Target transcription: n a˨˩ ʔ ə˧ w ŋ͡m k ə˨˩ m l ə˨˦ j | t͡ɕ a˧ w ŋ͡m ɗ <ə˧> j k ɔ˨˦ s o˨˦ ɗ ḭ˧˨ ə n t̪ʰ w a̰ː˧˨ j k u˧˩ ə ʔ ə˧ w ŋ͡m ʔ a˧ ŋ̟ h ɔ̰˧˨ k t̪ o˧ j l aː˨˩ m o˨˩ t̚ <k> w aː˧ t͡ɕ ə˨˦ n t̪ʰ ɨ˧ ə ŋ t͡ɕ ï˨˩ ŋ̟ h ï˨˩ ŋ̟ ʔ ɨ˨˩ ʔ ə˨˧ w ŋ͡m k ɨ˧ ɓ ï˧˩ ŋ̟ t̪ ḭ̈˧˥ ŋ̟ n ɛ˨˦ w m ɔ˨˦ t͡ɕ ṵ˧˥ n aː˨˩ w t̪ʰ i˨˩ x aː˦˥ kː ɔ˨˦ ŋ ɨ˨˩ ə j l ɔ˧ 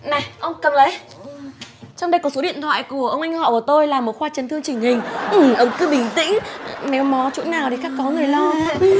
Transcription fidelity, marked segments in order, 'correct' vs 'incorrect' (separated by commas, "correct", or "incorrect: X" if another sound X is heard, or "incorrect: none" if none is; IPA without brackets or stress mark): correct, incorrect: x